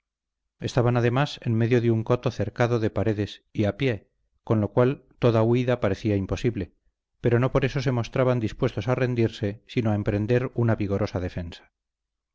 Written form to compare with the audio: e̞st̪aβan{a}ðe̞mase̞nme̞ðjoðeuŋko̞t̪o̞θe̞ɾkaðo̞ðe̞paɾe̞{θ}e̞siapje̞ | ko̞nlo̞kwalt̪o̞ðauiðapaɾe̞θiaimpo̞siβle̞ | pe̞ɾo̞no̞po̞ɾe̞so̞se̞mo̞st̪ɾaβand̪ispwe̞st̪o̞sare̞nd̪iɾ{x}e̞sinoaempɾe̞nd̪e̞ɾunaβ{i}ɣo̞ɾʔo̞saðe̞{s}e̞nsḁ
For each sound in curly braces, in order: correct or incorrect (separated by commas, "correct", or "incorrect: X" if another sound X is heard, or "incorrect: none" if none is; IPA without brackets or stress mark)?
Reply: correct, incorrect: ð, incorrect: s, correct, incorrect: f